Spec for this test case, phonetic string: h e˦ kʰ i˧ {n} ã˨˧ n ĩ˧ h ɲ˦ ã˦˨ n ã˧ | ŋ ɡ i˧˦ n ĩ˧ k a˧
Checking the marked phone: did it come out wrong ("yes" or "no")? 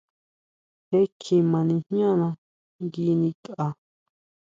yes